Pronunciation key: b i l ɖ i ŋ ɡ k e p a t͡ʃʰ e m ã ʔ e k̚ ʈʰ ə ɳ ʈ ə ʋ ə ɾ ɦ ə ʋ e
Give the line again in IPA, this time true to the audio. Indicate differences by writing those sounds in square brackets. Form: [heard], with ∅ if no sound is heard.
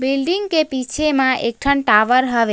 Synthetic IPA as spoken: b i l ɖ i ŋ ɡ k e p [i] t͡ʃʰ e m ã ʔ e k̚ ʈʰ ə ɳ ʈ [a] ʋ ə ɾ ɦ ə ʋ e